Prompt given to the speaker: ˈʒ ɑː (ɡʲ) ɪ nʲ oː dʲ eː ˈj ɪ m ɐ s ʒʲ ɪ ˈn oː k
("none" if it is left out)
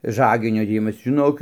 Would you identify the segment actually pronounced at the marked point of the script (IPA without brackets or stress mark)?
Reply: ɡʲ